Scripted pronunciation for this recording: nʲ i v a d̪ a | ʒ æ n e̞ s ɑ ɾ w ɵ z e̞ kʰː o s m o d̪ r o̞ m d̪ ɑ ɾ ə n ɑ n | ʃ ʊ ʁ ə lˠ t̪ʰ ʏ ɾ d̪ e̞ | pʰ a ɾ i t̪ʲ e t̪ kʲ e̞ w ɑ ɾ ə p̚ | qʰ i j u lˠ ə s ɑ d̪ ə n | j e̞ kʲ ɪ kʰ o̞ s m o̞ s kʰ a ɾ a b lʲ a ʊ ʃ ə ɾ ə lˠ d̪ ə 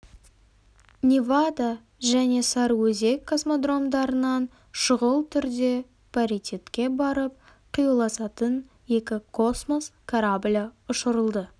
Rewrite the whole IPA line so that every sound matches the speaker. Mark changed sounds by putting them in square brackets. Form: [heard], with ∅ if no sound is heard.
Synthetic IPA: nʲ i v a d̪ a | ʒ æ n e̞ s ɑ ɾ w ɵ z e̞ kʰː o s m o d̪ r o̞ m d̪ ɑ ɾ ə n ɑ n | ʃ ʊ ʁ ə lˠ t̪ʰ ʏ ɾ d̪ e̞ | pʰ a ɾ i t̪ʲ e t̪ kʲ e̞ [b] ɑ ɾ ə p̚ | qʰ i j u lˠ [ɑ] s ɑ [t̪] ə n | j e̞ kʲ ɪ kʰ o̞ s m o̞ s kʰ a ɾ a b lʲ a ʊ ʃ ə ɾ ə lˠ d̪ ə